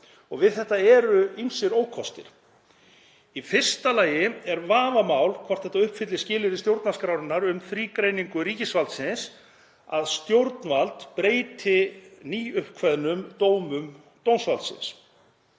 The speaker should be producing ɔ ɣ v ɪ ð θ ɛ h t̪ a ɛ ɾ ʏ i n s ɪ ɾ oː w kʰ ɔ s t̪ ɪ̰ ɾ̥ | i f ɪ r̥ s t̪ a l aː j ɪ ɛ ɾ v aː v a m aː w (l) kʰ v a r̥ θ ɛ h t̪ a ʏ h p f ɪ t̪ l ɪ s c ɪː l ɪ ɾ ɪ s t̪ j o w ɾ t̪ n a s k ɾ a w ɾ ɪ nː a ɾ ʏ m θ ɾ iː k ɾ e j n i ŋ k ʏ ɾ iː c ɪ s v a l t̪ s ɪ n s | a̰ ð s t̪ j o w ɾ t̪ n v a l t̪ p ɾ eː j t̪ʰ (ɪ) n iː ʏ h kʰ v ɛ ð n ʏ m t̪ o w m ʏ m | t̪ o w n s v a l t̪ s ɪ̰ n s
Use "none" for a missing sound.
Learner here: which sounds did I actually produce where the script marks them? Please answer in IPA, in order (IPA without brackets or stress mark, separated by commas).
l, ɪ